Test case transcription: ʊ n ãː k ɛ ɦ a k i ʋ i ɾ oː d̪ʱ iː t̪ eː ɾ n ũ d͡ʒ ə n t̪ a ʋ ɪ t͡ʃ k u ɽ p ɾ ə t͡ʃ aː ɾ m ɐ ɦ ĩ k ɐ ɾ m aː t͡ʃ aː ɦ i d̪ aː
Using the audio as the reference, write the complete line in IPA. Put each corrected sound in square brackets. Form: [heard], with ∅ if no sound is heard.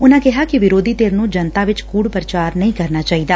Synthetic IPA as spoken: ʊ n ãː k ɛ ɦ a k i ʋ [ɪ] ɾ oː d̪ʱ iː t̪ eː ɾ n ũ d͡ʒ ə n t̪ a ʋ ɪ t͡ʃ k [uː] ɽ p ɾ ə t͡ʃ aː ɾ [n] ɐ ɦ ĩ k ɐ ɾ [n] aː t͡ʃ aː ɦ i d̪ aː